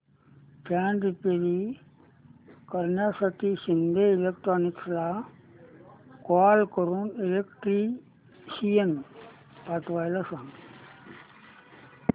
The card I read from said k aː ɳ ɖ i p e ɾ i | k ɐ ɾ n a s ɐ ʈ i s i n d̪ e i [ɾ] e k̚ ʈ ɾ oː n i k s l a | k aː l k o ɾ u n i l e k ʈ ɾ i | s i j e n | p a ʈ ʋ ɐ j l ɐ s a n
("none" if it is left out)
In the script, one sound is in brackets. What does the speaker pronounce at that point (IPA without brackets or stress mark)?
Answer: l